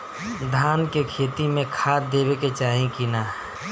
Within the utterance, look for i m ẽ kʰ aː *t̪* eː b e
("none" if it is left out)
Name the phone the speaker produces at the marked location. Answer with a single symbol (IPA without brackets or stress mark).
d̪